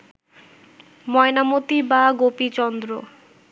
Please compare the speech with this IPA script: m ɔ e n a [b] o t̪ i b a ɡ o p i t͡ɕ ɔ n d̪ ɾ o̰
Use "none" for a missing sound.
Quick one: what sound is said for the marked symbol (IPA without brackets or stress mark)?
m